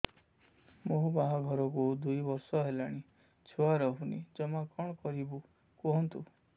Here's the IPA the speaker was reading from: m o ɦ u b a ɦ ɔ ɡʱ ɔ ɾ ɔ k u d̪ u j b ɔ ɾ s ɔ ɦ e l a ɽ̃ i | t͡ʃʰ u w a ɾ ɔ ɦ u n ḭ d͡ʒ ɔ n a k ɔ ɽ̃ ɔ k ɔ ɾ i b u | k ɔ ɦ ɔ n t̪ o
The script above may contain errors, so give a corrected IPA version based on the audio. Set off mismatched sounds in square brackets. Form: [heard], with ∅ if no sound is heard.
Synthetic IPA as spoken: m o ɦ u b a ɦ ɔ ɡʱ ɔ ɾ ɔ k u d̪ u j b ɔ ɾ s ɔ ɦ e l a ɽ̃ i | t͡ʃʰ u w a ɾ ɔ ɦ u n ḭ d͡ʒ ɔ [m] a k ɔ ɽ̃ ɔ k ɔ ɾ i b u | k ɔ ɦ ɔ n t̪ [u]